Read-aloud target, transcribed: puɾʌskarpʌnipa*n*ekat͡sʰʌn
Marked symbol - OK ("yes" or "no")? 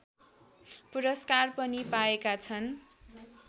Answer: no